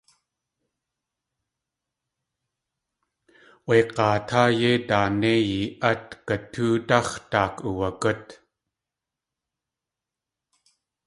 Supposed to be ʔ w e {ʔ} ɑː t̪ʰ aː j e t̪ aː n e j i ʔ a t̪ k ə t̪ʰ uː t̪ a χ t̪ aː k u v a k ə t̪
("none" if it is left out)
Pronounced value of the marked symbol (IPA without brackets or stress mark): q